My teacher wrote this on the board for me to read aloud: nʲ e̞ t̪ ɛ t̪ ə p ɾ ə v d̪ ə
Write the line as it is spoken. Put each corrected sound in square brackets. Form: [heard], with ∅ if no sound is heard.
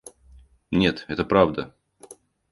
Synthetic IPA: nʲ e̞ t̪ ɛ t̪ ə p ɾ [a] v d̪ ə